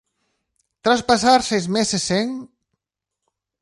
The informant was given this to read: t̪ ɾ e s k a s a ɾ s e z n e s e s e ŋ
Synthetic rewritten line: t̪ ɾ a s p a s a ɾ s e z m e s e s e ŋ